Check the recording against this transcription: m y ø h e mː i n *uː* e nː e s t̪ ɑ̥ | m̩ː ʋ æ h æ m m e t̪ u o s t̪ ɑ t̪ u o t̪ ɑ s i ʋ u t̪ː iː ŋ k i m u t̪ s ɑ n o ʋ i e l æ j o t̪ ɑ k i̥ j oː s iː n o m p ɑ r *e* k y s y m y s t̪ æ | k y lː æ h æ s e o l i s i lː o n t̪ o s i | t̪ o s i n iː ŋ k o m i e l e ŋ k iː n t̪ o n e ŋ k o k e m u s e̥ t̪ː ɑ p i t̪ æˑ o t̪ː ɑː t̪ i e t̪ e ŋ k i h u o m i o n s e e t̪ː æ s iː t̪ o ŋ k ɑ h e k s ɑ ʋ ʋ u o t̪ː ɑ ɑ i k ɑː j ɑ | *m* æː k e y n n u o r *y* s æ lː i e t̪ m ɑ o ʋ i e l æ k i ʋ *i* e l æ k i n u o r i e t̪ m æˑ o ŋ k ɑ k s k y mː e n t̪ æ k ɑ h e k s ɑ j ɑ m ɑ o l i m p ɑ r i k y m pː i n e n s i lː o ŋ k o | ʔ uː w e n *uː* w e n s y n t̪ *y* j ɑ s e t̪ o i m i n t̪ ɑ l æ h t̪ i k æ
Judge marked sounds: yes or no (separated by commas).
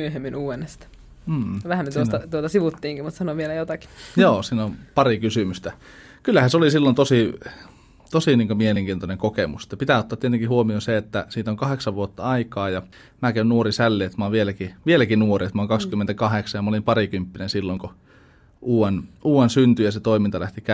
yes, no, yes, no, yes, yes, yes